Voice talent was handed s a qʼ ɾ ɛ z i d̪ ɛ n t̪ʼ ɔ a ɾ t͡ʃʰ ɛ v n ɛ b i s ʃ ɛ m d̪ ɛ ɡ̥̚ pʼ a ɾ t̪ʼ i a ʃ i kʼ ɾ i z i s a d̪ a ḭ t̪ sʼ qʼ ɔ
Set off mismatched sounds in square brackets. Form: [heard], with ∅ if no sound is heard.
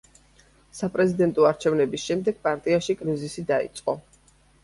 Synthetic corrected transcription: s a [pʼ] ɾ ɛ z i d̪ ɛ n t̪ʼ ɔ a ɾ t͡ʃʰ ɛ v n ɛ b i s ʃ ɛ m d̪ ɛ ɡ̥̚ pʼ a ɾ t̪ʼ i a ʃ i kʼ ɾ i z i s [i] d̪ a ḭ t̪ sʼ qʼ ɔ